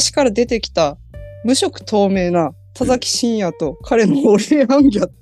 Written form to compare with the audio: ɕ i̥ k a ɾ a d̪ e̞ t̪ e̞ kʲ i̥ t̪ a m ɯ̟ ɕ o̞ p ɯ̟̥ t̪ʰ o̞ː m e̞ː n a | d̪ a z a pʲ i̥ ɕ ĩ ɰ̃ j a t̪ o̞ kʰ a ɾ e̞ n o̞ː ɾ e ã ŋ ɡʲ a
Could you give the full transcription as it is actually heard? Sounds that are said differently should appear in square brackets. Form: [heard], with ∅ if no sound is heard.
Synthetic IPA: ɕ i̥ k a ɾ a d̪ e̞ t̪ e̞ kʲ i̥ t̪ a m ɯ̟ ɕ o̞ [k] ɯ̟̥ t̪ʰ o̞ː m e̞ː n a | [t̪] a z a [kʲ] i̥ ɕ ĩ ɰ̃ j a t̪ o̞ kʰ a ɾ e̞ n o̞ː ɾ e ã ŋ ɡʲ a